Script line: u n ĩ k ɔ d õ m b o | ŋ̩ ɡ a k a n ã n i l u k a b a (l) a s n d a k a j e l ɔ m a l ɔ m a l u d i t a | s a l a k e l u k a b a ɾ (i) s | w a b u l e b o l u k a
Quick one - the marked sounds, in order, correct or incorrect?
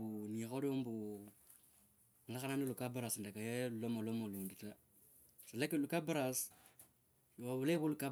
incorrect: ɾ, incorrect: a

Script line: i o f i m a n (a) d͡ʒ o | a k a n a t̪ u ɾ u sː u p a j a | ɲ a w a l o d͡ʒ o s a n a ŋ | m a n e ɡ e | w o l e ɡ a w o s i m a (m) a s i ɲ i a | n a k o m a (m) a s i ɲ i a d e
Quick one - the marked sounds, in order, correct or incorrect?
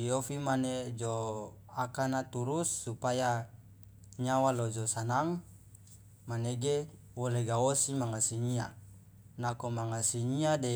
incorrect: e, incorrect: ŋ, incorrect: ŋ

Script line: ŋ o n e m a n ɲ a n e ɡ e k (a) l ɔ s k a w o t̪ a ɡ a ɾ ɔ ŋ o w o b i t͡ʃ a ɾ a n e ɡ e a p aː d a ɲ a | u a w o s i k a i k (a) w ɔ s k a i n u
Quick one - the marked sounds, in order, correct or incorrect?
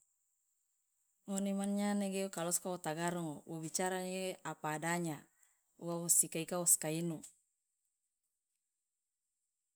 correct, correct

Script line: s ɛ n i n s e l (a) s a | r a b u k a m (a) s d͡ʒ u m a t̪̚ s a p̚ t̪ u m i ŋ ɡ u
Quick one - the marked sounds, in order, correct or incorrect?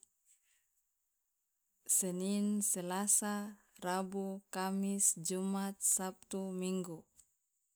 correct, incorrect: i

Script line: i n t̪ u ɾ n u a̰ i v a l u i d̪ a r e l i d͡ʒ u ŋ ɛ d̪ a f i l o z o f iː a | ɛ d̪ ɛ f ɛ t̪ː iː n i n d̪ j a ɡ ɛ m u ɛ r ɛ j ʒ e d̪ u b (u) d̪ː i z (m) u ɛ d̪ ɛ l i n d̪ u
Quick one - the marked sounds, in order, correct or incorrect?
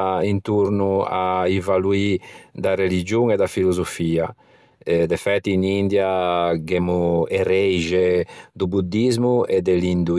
correct, correct

